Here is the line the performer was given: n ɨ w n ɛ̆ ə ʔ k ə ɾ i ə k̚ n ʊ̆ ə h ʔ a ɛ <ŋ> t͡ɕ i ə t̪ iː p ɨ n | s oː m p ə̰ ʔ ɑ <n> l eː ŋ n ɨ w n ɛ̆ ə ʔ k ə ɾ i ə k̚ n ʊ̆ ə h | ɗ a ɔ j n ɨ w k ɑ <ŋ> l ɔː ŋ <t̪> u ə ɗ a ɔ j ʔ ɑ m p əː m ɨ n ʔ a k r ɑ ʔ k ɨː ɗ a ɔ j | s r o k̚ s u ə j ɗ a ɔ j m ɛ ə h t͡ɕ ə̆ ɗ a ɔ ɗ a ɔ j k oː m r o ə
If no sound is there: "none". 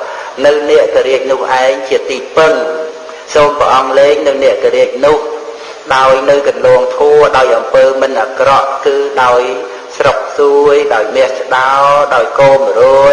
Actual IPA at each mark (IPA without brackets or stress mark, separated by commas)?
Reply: ŋ, ŋ, n, t̪ʰ